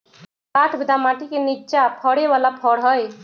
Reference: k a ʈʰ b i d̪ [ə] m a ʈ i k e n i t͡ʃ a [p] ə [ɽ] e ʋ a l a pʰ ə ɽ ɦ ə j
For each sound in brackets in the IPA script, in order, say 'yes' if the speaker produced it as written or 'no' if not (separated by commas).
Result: no, no, yes